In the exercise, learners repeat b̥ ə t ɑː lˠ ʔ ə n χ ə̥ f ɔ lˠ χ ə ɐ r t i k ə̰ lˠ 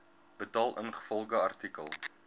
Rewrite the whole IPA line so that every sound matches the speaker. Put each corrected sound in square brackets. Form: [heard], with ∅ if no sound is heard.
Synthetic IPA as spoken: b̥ ə t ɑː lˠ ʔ ə n χ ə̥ f ɔ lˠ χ ə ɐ r t i k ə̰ lˠ